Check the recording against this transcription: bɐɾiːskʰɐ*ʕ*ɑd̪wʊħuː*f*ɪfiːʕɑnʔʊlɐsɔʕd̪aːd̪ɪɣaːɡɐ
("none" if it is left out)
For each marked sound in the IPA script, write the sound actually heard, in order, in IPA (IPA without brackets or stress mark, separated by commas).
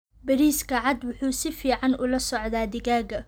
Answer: ʕ, s